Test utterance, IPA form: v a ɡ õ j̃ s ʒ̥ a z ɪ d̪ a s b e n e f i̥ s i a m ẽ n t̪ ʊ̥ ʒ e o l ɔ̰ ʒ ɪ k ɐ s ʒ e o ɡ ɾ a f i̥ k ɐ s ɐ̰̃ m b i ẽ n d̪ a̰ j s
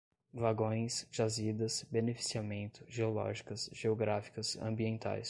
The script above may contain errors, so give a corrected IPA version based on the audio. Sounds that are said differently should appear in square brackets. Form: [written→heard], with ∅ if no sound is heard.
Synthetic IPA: v a ɡ õ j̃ s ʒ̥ a z [ɪ→i] d̪ [a→ɐ] s b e n e f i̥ s i a m ẽ n t̪ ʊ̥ ʒ e o l ɔ̰ ʒ [ɪ→i] k ɐ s ʒ e o ɡ ɾ a f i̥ k ɐ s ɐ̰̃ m b i ẽ n [d̪→t̪] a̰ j s